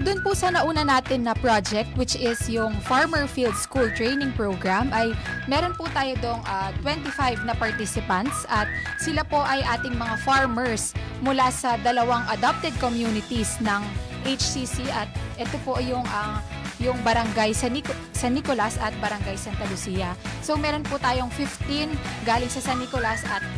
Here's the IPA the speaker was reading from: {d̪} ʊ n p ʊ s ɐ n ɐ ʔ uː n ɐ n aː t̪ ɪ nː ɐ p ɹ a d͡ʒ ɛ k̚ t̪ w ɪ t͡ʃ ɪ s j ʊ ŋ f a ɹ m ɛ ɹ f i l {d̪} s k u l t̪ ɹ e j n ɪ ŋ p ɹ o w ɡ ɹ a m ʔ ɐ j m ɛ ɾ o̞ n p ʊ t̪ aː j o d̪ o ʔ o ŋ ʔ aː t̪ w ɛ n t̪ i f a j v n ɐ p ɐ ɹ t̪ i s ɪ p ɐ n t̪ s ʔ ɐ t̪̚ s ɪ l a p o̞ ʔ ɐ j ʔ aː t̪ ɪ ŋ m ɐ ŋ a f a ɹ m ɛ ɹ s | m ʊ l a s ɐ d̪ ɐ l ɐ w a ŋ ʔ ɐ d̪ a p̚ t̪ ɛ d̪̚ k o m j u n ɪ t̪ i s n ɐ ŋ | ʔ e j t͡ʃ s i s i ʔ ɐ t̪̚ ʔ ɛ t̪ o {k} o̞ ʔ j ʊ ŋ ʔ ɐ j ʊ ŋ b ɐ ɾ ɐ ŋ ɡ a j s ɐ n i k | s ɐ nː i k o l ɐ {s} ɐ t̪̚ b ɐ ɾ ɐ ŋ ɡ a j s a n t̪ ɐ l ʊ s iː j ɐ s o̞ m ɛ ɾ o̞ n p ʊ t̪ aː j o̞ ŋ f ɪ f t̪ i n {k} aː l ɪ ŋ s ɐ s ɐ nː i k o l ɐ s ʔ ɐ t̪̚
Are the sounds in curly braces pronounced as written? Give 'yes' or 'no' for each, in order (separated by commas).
yes, yes, no, yes, no